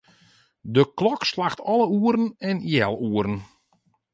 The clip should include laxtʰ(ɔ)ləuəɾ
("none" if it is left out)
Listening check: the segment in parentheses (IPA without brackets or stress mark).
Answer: ɔ